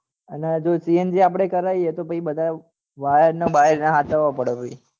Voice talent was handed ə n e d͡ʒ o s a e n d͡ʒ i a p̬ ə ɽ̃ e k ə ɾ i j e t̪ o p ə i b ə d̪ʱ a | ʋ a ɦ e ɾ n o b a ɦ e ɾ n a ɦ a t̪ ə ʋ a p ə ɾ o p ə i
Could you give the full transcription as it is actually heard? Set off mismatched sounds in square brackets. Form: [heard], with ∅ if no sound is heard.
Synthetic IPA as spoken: ə n e d͡ʒ o s [i] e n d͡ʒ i a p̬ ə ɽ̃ e k ə ɾ [a] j e t̪ o p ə i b ə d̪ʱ a | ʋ a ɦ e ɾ n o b a ɦ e ɾ n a ɦ a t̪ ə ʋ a p ə [ɽ] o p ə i